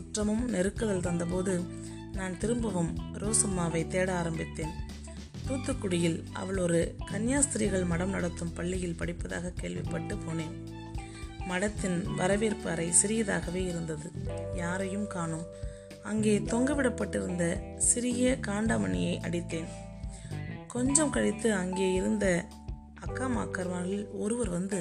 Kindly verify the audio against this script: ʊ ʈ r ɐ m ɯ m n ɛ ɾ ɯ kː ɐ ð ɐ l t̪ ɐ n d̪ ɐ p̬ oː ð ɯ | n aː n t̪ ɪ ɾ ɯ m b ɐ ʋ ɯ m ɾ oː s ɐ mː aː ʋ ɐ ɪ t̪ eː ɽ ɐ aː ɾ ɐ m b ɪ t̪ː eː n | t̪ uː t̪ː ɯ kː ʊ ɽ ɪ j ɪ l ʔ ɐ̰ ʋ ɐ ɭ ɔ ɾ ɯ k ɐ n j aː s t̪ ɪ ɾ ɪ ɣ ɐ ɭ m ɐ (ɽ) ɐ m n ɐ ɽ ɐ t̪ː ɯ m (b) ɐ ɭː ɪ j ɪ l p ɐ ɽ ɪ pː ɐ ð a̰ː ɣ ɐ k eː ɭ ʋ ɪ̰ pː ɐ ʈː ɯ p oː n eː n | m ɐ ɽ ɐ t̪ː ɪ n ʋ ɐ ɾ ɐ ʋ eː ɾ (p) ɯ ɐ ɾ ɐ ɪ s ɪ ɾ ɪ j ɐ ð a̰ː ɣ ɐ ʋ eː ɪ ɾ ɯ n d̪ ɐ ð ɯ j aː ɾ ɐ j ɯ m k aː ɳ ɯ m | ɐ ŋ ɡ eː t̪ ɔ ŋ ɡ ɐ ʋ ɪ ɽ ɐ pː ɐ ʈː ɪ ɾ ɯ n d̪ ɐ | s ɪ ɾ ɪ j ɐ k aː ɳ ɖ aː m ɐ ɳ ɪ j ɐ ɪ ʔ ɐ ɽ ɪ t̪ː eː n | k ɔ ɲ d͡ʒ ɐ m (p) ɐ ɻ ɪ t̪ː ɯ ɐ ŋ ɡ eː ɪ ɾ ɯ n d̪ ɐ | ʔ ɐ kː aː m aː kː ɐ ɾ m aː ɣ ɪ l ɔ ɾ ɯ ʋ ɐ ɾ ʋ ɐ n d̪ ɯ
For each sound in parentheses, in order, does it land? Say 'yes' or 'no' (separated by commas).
yes, no, yes, no